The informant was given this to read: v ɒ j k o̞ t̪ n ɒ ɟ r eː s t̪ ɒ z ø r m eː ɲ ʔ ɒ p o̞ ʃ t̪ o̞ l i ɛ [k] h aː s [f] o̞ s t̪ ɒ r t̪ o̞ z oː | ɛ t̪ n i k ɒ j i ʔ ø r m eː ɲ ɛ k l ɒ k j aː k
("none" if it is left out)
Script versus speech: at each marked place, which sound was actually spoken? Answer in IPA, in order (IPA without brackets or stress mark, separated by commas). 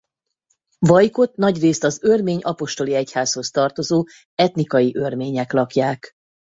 c, h